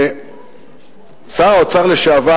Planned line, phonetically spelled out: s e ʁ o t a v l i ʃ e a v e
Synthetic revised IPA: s a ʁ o t͡s a ʁ l e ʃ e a v a